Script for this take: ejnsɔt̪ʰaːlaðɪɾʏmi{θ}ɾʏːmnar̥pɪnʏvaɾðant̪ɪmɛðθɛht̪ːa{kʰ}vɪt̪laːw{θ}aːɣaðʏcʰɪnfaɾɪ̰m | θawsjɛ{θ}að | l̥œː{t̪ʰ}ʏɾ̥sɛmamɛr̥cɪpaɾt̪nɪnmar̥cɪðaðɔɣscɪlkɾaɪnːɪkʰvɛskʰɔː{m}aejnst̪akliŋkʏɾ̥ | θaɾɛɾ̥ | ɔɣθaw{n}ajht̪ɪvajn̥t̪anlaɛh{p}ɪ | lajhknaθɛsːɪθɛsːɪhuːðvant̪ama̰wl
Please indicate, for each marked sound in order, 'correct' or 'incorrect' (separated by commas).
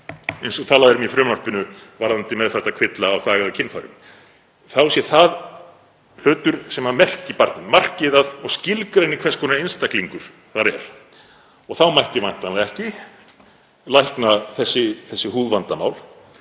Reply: incorrect, correct, correct, correct, incorrect, incorrect, incorrect, incorrect